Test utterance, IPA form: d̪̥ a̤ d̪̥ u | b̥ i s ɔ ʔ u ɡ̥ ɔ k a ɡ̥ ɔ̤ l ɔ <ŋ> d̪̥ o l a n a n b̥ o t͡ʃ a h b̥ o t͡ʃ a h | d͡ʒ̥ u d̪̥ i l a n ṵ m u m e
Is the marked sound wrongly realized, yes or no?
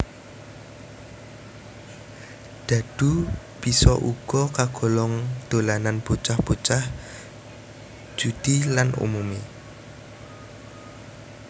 no